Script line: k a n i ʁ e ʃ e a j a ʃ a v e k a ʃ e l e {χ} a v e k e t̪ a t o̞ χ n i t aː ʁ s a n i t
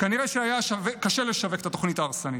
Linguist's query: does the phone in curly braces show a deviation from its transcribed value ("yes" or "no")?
yes